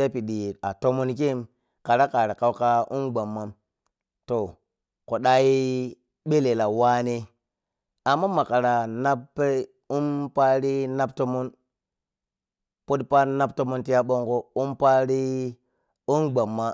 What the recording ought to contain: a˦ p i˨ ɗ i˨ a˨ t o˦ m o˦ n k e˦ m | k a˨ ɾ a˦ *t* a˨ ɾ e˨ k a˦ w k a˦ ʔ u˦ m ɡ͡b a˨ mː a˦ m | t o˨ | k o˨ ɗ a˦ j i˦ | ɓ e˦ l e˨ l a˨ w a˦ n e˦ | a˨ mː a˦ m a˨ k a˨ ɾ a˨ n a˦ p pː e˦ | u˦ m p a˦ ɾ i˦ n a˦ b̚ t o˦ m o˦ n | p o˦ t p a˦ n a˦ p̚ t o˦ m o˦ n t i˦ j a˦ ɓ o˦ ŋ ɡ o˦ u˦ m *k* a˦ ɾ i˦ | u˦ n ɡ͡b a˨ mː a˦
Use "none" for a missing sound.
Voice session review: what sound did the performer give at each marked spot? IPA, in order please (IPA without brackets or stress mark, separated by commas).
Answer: k, p